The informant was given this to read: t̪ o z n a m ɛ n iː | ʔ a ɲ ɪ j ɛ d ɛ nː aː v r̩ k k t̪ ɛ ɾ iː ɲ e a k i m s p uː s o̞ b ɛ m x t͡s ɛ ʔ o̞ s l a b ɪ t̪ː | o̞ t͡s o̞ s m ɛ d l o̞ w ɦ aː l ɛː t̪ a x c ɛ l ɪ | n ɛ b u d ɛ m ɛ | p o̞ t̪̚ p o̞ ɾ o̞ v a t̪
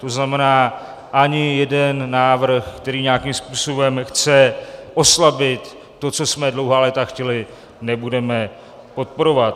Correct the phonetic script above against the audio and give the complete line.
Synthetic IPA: t̪ o z n a m ɛ n aː | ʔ a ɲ ɪ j ɛ d ɛ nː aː v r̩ x k t̪ ɛ ɾ iː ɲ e a k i m s p uː s o̞ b ɛ m x t͡s ɛ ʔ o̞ s l a b ɪ t̪ː | o̞ t͡s o̞ s m ɛ d l o̞ w ɦ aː l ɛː t̪ a x c ɛ l ɪ | n ɛ b u d ɛ m ɛ | p o̞ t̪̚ p o̞ ɾ o̞ v a t̪